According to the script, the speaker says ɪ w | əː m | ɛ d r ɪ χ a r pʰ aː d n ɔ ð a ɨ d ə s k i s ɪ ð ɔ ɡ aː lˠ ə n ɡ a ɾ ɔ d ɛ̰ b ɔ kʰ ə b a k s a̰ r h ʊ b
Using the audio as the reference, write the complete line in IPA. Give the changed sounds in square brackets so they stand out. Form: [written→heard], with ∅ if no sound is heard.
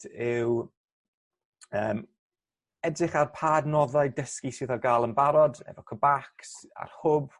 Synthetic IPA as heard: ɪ w | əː m | ɛ d r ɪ χ a r pʰ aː d n ɔ ð a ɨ d ə s k i s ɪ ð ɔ ɡ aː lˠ ə n [ɡ→b] a ɾ ɔ d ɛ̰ [b→v] ɔ kʰ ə b a k s a̰ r h ʊ b